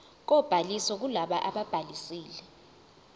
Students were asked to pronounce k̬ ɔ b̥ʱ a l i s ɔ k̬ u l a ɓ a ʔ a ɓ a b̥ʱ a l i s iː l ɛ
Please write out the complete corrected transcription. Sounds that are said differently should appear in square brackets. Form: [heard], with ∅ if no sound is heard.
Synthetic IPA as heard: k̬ ɔ b̥ʱ a l i s ɔ k̬ u l a ɓ a ʔ a ɓ a b̥ʱ a l i s iː l ɛ